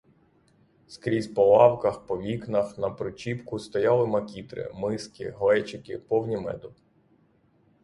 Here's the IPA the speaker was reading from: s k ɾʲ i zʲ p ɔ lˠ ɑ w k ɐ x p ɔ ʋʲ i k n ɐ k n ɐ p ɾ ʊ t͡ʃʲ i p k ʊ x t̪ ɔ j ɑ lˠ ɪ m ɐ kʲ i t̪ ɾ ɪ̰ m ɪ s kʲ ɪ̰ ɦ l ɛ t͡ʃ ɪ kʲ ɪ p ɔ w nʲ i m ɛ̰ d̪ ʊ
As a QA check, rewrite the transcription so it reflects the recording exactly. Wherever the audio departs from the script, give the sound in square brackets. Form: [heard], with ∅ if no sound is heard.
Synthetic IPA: s k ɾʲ i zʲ p ɔ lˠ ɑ w k ɐ x p ɔ ʋʲ i k n ɐ [x] n ɐ p ɾ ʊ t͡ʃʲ i p k ʊ [s] t̪ ɔ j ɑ lˠ ɪ m ɐ kʲ i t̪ ɾ ɪ̰ m ɪ s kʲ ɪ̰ ɦ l ɛ t͡ʃ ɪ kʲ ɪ p ɔ w nʲ i m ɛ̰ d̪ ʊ